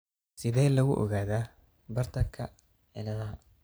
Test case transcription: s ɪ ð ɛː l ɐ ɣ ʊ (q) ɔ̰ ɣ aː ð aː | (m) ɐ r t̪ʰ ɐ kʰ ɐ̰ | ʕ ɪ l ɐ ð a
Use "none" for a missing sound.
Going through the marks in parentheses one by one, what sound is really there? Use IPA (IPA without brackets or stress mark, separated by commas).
ʔ, b